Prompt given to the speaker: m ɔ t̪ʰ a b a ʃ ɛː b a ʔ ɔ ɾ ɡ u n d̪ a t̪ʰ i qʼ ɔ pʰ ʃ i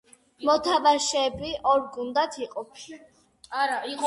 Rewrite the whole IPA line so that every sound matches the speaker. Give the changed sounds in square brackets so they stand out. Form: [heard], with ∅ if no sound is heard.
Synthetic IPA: m ɔ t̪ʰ a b a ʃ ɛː b [i] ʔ ɔ ɾ ɡ u n d̪ a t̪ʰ i qʼ ɔ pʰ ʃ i